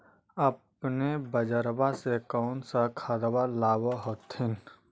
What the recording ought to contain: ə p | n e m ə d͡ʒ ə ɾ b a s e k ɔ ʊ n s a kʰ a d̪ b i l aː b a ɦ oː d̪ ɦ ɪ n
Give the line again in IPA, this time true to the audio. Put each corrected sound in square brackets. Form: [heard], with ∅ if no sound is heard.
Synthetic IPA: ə p | n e [b] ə d͡ʒ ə ɾ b a s e k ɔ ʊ n s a kʰ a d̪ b [a] l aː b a ɦ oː [t̪] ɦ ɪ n